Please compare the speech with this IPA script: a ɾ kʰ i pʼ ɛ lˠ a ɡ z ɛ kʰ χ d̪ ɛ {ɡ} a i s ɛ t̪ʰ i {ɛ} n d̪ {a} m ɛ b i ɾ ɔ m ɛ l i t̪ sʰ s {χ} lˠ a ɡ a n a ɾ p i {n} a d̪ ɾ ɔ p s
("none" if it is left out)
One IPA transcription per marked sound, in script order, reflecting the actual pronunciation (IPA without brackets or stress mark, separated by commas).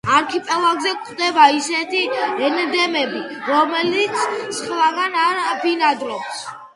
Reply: b, ɛ, ɛ, χ, n